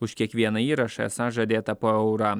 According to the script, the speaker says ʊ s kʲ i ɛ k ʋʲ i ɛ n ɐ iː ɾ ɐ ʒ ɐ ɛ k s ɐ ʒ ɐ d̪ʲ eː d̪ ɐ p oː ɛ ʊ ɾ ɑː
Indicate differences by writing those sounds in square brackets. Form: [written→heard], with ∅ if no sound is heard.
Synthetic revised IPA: ʊ [s→ʃ] kʲ i ɛ k ʋʲ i ɛ n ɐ iː ɾ ɐ [ʒ→ʃ] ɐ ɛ [k→∅] s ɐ ʒ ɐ d̪ʲ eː [d̪→t̪] ɐ p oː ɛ ʊ ɾ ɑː